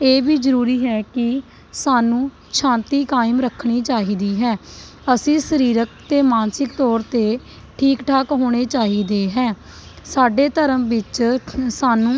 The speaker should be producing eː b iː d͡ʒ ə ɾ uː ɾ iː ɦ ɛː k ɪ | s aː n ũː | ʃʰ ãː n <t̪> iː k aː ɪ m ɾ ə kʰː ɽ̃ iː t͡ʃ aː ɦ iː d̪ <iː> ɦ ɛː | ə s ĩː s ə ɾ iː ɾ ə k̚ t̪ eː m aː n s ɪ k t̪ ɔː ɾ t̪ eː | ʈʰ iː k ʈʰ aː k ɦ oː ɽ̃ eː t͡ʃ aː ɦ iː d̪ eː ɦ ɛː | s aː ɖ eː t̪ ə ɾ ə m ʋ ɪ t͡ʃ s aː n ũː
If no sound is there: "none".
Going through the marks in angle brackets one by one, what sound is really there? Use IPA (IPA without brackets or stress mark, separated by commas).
t̪, iː